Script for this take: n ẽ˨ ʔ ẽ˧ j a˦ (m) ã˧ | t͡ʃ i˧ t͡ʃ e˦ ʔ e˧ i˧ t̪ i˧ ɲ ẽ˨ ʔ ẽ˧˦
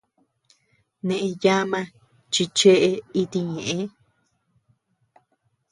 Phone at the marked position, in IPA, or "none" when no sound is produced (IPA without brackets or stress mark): m